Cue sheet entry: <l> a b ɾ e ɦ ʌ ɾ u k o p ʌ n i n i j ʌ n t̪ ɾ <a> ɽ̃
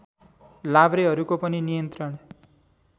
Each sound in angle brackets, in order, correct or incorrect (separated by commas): correct, incorrect